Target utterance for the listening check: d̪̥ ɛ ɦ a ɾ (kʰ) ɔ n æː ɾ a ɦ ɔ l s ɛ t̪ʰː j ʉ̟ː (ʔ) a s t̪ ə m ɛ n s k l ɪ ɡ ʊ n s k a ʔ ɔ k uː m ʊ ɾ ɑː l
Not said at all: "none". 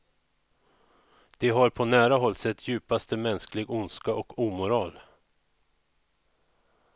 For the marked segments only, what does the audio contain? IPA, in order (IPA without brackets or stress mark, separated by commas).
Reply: pʰ, p